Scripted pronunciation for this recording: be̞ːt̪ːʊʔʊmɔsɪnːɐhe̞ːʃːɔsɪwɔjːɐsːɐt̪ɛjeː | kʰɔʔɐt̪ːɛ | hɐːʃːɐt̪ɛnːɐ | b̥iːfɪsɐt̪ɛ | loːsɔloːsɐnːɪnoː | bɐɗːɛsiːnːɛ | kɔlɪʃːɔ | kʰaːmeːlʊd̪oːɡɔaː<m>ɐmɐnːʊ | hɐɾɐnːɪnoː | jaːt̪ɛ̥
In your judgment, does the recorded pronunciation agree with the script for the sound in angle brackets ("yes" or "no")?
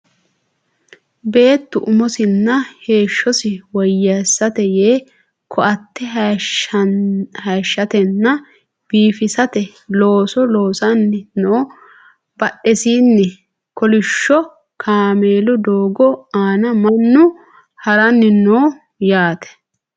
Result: no